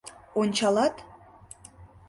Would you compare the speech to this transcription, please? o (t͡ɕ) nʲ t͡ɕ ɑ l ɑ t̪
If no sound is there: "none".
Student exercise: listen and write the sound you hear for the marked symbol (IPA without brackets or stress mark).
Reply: none